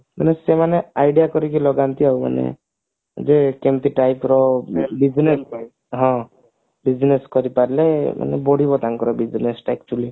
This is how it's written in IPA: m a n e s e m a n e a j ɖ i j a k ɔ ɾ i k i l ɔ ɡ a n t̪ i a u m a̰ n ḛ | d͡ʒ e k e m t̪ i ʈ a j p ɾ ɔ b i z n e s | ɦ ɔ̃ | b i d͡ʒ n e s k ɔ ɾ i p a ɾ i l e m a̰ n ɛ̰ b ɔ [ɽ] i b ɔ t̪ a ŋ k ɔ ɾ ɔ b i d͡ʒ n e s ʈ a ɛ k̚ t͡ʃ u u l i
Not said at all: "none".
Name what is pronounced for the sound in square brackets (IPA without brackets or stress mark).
ɽ